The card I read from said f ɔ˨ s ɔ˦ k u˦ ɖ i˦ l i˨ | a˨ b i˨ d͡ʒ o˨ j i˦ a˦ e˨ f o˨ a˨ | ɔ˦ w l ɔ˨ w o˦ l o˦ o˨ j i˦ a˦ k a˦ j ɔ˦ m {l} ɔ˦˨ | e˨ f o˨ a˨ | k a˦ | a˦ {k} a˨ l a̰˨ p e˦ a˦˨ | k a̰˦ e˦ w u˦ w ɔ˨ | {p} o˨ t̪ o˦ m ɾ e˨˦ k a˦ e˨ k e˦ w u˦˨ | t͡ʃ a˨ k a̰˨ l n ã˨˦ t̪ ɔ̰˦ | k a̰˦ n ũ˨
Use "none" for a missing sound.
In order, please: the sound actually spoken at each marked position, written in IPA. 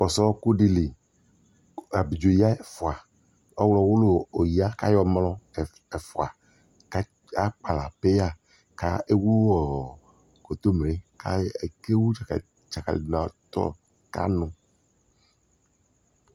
l, k͡p, k

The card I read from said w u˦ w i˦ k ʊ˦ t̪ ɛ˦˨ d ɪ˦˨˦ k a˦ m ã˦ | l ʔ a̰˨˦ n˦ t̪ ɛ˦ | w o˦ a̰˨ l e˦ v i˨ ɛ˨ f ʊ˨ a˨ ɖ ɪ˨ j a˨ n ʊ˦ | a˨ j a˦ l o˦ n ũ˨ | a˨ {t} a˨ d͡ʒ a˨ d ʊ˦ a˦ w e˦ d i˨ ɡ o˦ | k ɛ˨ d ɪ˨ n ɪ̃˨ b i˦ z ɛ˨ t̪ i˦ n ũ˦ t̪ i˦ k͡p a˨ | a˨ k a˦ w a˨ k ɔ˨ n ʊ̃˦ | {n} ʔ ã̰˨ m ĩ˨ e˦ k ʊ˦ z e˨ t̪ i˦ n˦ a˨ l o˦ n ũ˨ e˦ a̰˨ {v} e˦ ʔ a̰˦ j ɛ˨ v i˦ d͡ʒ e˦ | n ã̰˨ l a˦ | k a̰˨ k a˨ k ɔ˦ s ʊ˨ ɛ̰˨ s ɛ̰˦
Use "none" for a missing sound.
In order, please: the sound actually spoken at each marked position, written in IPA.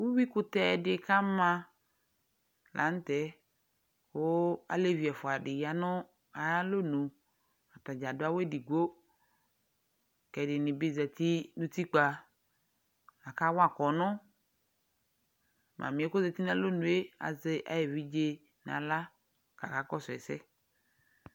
t, m, z

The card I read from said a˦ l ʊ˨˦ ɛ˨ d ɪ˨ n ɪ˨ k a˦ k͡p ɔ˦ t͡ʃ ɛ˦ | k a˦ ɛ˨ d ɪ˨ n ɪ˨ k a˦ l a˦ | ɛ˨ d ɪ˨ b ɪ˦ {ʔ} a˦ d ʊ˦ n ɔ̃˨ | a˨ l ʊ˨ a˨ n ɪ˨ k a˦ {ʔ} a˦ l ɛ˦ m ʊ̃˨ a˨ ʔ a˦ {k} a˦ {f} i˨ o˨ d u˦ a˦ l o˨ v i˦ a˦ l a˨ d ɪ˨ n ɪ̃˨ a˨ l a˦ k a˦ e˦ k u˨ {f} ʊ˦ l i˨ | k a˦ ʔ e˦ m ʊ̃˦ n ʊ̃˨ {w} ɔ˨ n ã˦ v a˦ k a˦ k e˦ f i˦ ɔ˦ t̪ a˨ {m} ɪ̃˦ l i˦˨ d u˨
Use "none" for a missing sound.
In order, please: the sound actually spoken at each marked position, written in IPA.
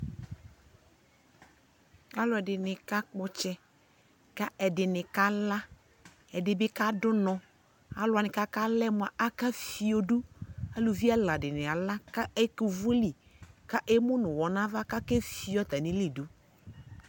k, k, k, f, v, w, n

